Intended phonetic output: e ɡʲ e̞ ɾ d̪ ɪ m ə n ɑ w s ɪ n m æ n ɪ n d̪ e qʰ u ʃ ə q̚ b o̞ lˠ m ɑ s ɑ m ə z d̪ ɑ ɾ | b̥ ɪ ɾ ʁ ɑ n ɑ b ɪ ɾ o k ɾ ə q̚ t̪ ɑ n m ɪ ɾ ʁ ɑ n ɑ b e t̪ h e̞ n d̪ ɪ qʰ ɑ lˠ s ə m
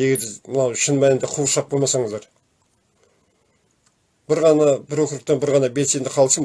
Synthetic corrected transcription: e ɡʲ e̞ ɾ d̪ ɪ m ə n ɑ w ʃ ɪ n m æ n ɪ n d̪ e qʰ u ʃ ɑ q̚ b o̞ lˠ m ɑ s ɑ ɴ ə z d̪ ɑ ɾ | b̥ ɪ ɾ ʁ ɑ n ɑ b ɪ ɾ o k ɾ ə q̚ t̪ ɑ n b ɪ ɾ ʁ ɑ n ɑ b e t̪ s e̞ n d̪ ɪ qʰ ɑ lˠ s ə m